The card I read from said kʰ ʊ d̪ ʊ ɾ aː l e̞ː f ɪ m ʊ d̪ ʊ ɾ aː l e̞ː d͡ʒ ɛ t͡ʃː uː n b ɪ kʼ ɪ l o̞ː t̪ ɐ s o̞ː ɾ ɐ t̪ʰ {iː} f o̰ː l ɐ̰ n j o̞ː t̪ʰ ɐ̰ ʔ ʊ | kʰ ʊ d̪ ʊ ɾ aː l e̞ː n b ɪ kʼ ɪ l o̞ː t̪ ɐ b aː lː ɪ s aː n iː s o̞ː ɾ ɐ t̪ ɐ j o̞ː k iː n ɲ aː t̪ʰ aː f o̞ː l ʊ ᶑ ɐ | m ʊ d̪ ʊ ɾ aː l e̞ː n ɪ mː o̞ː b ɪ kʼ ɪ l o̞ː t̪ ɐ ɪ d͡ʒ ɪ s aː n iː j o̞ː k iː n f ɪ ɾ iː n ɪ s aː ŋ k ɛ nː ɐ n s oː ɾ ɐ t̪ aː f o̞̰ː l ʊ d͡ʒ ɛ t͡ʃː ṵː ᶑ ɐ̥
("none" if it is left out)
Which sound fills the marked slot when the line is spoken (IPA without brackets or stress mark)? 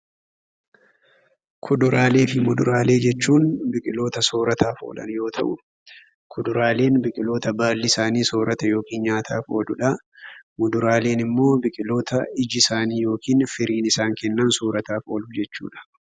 aː